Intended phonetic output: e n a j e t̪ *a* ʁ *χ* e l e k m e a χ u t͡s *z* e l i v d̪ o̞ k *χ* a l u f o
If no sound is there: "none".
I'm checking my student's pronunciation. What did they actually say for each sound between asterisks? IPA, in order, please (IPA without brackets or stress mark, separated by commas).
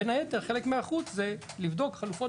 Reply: e, χ, z, χ